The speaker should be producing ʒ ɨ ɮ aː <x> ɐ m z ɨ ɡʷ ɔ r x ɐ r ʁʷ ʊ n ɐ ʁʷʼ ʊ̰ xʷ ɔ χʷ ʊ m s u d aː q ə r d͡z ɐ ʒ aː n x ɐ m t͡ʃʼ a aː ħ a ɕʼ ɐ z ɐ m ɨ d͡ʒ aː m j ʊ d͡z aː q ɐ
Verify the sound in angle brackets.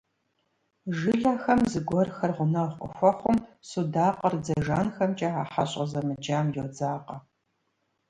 correct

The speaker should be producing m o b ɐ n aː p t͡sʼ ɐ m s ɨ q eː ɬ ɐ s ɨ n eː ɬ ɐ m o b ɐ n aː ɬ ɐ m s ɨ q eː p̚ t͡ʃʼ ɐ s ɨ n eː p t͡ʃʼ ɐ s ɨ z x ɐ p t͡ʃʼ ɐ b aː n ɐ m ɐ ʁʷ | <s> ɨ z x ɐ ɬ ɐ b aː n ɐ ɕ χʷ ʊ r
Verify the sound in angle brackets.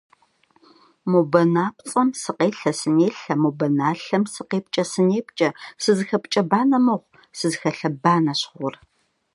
correct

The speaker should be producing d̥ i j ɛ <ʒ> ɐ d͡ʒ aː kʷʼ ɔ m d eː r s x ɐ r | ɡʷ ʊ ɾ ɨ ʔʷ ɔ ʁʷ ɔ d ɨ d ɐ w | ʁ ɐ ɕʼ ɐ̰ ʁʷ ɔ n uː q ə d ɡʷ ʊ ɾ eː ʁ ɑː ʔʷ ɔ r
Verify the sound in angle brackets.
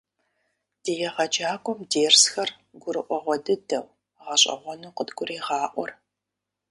incorrect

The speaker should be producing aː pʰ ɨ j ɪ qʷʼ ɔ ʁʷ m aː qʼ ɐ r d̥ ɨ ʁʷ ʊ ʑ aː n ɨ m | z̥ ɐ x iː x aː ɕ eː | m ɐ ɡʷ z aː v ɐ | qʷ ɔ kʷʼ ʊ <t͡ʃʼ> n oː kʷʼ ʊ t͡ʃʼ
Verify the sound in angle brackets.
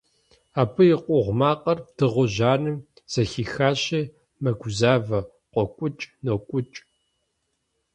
correct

